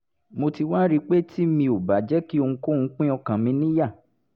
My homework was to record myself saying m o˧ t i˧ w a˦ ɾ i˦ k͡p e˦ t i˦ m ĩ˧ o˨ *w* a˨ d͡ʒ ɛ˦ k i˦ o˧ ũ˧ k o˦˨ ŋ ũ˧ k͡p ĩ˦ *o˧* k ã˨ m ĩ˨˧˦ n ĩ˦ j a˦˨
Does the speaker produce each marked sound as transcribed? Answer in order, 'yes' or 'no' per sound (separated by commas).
no, no